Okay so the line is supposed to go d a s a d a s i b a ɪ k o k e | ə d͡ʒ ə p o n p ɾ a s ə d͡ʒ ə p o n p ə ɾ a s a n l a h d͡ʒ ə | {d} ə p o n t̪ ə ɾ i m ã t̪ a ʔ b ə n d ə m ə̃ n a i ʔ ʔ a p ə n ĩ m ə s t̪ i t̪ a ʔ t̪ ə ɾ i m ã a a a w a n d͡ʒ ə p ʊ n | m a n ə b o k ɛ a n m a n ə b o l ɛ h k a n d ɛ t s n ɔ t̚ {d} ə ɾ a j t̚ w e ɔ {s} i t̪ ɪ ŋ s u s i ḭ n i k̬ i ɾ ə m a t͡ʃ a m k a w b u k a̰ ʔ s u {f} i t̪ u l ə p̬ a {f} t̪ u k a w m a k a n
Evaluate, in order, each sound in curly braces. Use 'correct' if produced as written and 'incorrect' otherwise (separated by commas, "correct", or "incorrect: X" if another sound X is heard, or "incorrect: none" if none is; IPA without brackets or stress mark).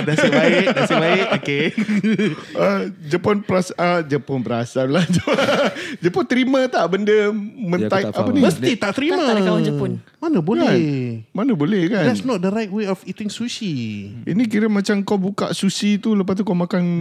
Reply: incorrect: d͡ʒ, correct, incorrect: f, incorrect: s, incorrect: s